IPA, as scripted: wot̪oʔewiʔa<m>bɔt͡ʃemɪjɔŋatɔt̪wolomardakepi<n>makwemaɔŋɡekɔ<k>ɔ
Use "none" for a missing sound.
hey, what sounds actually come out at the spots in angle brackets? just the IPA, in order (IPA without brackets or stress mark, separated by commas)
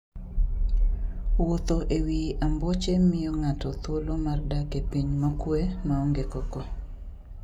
m, ɲ, k